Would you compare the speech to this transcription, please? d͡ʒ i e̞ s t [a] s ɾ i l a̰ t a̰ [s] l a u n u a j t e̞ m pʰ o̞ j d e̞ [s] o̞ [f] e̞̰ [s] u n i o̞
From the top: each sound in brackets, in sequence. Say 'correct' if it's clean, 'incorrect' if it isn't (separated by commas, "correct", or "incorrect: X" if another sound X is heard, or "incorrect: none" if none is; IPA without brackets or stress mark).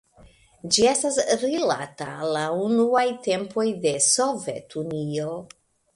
correct, incorrect: none, correct, incorrect: v, incorrect: t